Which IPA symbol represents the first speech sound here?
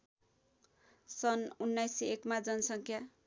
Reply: s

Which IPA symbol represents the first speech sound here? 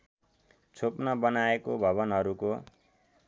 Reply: t͡sʰ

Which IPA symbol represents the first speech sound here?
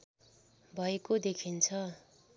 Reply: bʱ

